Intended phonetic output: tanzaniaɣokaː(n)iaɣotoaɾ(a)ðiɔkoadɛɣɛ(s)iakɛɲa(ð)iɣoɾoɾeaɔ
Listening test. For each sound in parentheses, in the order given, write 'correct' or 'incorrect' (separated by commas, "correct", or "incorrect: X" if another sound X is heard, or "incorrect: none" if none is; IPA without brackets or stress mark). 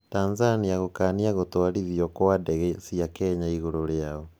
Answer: correct, incorrect: i, correct, incorrect: none